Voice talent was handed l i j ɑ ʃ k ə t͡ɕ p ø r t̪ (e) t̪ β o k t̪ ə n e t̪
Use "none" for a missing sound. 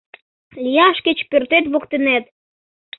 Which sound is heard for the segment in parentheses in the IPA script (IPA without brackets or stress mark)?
e